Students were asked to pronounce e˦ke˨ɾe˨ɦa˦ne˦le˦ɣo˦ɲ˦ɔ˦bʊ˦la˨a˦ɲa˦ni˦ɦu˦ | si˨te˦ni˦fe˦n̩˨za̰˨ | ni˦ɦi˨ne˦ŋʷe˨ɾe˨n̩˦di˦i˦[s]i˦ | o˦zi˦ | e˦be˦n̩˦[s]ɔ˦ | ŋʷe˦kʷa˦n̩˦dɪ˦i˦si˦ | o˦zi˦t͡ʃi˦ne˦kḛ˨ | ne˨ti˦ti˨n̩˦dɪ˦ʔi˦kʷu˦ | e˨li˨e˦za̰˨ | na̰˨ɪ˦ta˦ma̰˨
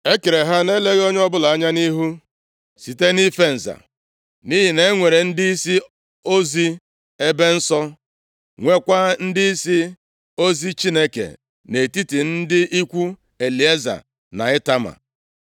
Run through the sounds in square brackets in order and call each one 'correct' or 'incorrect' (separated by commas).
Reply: correct, correct